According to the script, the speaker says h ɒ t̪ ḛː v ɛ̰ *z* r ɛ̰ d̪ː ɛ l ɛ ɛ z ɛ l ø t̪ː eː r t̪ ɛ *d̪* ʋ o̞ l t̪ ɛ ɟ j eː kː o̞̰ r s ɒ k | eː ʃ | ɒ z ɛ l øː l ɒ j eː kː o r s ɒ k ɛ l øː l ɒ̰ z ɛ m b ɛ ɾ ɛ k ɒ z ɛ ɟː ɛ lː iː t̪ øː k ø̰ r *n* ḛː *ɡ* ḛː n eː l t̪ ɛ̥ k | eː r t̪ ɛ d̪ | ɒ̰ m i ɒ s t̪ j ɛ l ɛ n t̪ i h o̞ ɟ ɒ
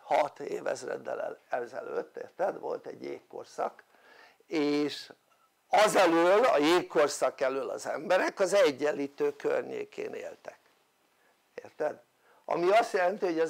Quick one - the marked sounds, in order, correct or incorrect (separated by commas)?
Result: correct, correct, incorrect, incorrect